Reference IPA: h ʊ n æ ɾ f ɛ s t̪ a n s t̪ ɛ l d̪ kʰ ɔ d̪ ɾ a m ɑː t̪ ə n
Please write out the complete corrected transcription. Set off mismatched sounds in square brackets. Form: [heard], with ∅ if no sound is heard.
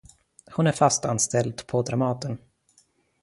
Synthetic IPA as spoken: h ʊ n æ ɾ f [a] s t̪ a n s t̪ ɛ l d̪ [pʰ] ɔ d̪ ɾ a m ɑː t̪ ə n